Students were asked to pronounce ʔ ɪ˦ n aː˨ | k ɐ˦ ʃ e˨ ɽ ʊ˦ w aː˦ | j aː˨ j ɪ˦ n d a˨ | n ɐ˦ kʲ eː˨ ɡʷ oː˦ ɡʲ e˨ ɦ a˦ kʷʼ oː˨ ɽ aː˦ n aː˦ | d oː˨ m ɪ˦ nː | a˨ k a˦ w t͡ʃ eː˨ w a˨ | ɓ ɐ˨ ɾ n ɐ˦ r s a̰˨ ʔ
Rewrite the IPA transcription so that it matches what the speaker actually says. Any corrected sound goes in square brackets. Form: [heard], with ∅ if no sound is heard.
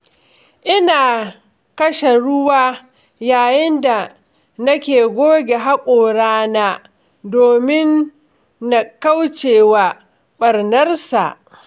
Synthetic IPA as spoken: ʔ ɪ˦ n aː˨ | k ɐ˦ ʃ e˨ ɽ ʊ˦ w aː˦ | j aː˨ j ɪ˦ n d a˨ | n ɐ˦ kʲ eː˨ ɡʷ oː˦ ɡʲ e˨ ɦ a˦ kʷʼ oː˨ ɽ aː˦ n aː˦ | d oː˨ m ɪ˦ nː | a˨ k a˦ w t͡ʃ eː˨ w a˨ | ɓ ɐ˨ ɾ n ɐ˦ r s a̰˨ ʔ